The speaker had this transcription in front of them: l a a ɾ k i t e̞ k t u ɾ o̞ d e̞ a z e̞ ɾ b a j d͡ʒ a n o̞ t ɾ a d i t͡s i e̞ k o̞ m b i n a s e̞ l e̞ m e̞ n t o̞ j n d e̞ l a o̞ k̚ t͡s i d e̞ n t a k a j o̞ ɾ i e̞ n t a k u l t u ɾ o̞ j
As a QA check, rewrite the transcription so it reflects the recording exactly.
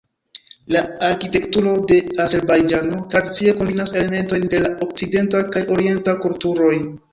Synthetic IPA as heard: l a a ɾ k i t e̞ k t u ɾ o̞ d e̞ a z e̞ ɾ b a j d͡ʒ a n o̞ t ɾ a d i t͡s i e̞ k o̞ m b i n a s e̞ l e̞ m e̞ n t o̞ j n d e̞ l a o̞ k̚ t͡s i d e̞ n t a k a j o̞ ɾ i e̞ n t a k u l t u ɾ o̞ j